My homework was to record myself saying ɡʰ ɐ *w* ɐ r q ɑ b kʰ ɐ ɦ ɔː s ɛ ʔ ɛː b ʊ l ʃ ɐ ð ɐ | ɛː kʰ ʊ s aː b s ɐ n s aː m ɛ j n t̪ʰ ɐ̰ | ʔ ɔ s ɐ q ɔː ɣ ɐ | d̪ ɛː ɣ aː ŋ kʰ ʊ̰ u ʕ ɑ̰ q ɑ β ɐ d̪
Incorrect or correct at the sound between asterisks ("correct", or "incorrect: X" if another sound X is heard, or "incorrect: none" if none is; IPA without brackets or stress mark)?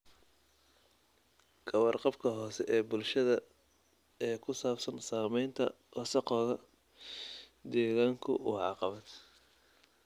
correct